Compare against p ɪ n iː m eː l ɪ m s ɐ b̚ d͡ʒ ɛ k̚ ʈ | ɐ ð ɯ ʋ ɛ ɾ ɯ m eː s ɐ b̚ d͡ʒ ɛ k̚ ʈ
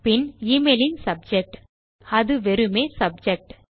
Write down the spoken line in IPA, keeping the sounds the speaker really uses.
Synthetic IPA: p ɪ n iː m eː l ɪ n s ɐ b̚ d͡ʒ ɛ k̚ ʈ | ɐ ð ɯ ʋ ɛ ɾ ɯ m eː s ɐ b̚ d͡ʒ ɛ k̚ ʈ